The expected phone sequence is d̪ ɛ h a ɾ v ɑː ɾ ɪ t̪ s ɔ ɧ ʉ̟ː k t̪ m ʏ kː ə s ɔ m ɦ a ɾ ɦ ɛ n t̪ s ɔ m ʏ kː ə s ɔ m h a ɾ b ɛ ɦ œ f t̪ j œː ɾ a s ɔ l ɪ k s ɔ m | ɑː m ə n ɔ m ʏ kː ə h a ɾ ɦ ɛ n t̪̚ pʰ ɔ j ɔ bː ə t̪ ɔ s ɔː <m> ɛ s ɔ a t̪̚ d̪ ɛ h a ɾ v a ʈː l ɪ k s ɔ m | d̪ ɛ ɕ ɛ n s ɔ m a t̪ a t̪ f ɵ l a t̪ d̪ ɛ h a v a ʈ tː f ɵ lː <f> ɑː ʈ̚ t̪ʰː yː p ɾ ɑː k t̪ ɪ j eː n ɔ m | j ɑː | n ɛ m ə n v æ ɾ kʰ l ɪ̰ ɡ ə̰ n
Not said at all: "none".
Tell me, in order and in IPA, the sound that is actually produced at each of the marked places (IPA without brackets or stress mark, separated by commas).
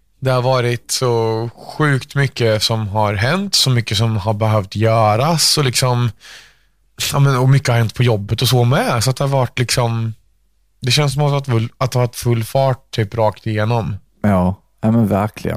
m, f